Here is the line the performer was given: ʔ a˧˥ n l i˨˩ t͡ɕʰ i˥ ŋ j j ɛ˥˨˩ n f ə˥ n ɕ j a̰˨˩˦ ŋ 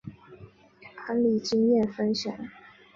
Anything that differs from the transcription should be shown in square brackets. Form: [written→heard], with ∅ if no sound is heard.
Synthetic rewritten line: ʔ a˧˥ n l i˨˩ [t͡ɕʰ→t͡ɕ] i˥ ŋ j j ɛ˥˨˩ n f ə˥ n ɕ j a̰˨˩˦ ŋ